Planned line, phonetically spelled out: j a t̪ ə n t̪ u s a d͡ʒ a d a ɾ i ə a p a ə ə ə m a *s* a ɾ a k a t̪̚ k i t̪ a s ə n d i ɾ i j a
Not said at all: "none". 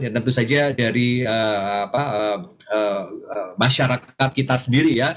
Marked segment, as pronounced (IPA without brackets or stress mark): ʃ